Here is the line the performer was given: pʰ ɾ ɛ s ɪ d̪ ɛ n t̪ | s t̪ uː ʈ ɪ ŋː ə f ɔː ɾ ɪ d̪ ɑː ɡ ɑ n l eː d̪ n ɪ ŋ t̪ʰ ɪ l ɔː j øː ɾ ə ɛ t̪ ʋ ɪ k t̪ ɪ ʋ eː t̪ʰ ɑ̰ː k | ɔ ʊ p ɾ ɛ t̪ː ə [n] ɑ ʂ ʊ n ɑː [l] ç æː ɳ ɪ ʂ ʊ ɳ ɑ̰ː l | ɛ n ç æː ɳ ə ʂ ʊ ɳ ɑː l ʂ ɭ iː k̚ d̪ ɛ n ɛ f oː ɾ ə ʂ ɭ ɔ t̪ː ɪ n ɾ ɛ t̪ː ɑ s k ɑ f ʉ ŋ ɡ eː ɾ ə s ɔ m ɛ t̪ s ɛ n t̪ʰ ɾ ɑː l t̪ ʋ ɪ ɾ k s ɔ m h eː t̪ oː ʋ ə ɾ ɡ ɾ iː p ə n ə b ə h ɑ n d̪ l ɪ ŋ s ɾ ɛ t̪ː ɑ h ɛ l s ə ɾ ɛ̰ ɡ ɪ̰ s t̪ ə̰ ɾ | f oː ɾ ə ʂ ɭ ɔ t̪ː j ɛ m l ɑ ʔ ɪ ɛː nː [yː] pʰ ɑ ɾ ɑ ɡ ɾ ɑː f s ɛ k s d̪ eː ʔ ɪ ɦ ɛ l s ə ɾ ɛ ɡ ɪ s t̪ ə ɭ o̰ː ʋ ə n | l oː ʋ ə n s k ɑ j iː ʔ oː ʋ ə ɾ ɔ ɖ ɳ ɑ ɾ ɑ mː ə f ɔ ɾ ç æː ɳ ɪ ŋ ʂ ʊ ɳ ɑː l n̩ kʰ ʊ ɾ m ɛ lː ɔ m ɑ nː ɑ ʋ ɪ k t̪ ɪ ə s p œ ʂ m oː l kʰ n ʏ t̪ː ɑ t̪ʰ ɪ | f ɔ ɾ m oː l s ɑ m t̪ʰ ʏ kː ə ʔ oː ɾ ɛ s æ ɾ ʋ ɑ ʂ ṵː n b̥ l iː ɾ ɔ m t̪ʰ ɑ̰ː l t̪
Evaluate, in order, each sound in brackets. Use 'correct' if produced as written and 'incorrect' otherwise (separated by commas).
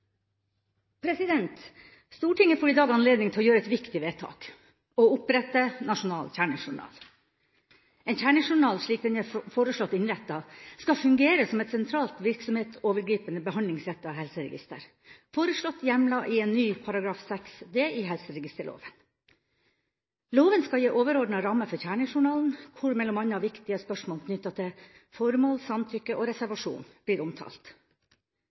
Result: correct, correct, correct